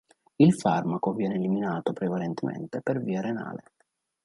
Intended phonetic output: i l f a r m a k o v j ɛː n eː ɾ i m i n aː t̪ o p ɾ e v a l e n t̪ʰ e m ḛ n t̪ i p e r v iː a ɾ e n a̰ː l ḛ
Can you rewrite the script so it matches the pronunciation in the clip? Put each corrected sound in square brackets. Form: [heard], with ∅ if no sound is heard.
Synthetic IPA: i l f a r m a k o v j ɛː n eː [l] i m i n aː t̪ o p ɾ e v a l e n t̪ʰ e m ḛ n t̪ [e] p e r v iː a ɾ e n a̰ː l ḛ